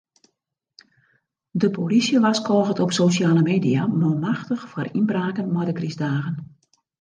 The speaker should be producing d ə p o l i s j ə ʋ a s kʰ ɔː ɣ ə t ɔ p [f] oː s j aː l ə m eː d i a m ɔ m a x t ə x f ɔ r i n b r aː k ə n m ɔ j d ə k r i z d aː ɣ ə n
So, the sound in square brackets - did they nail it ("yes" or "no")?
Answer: no